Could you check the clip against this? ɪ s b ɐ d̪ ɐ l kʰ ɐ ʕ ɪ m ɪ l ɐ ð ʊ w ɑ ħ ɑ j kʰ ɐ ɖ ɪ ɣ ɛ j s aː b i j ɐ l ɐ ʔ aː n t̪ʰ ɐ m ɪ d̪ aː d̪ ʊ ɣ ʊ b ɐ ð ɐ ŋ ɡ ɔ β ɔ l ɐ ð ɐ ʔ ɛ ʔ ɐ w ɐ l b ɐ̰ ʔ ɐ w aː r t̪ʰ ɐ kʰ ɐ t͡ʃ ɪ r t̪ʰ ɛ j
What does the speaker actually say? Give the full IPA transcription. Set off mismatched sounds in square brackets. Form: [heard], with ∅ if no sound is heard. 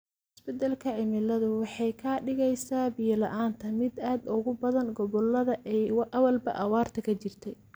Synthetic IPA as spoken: ɪ s b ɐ d̪ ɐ l kʰ ɐ ʕ ɪ m ɪ l ɐ ð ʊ w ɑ ħ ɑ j kʰ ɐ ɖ ɪ ɣ ɛ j s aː b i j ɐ l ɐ ʔ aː n t̪ʰ ɐ m ɪ d̪ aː d̪ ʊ ɣ ʊ b ɐ ð ɐ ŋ ɡ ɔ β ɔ l ɐ ð ɐ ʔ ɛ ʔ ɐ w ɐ l b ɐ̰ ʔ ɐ w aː r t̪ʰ ɐ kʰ ɐ t͡ʃ ɪ r t̪ʰ ɛ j